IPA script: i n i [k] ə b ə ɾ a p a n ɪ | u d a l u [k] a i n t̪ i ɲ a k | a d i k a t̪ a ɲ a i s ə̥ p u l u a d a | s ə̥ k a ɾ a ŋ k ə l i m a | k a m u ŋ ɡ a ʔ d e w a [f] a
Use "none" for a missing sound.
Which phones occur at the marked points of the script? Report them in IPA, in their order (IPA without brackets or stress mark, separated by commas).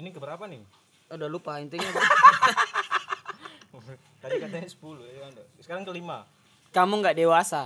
k, p, s